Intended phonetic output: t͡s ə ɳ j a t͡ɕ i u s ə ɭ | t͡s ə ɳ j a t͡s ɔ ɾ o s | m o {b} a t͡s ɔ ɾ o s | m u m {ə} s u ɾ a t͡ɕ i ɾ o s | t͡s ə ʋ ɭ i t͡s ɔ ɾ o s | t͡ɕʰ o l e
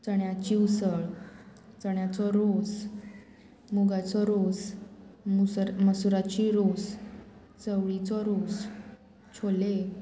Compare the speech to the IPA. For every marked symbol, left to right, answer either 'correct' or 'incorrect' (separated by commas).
incorrect, correct